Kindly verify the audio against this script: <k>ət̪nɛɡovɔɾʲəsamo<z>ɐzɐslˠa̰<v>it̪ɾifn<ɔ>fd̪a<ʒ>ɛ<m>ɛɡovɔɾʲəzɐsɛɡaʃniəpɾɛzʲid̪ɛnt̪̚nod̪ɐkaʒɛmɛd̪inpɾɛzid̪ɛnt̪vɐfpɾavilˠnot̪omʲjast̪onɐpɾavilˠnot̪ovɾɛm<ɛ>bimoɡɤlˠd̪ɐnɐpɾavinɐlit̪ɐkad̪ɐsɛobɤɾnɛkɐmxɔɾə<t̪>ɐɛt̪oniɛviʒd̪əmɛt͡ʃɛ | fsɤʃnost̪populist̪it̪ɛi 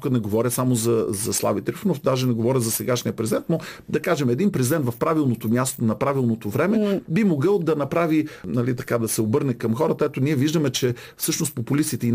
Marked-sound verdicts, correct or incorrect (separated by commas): correct, correct, correct, incorrect, correct, incorrect, correct, correct